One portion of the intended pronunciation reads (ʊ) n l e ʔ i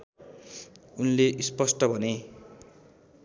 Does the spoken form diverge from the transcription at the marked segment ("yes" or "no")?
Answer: yes